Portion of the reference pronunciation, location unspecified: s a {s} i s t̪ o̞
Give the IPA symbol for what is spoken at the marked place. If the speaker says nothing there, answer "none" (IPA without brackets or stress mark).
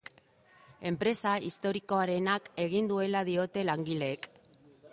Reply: none